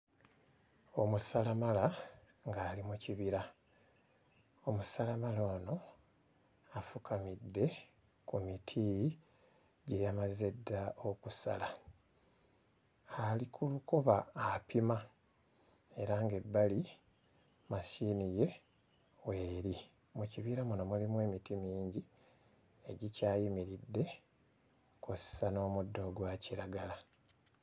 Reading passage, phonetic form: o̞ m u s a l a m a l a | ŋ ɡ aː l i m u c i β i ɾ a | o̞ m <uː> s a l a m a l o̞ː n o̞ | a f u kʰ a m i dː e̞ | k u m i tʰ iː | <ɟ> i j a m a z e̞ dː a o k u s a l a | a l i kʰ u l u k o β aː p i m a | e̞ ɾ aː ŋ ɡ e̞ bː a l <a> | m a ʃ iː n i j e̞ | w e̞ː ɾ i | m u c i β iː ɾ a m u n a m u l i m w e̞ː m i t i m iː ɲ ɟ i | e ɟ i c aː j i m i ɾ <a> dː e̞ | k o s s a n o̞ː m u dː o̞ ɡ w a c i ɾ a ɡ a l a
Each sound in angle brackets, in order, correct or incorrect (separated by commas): incorrect, correct, incorrect, incorrect